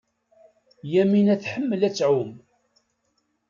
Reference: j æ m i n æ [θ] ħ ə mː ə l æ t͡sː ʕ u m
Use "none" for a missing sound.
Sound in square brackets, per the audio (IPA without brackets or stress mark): θ